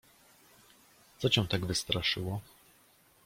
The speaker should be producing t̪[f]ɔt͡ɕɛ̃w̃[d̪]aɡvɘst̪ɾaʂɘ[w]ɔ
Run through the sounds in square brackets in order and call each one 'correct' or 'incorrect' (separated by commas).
incorrect, incorrect, correct